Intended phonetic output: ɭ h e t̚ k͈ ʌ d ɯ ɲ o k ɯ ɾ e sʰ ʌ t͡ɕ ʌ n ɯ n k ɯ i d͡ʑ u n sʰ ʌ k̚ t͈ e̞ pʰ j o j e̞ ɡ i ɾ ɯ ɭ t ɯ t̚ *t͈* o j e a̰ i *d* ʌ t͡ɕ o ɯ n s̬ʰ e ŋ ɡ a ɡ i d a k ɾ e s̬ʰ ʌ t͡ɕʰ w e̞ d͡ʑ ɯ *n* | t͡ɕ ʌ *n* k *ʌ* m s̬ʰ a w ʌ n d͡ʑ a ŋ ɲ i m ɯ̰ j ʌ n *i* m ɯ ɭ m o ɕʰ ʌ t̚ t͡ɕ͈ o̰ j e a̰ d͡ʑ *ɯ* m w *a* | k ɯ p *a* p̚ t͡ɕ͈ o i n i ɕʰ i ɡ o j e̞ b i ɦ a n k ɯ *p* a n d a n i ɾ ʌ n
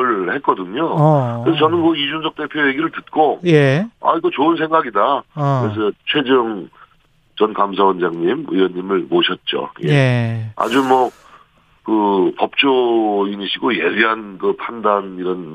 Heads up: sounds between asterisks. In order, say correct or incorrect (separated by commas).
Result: incorrect, incorrect, incorrect, correct, incorrect, correct, incorrect, incorrect, incorrect, incorrect